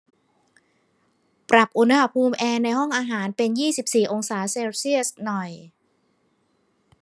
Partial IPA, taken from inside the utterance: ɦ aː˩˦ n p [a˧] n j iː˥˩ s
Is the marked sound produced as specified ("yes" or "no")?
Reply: no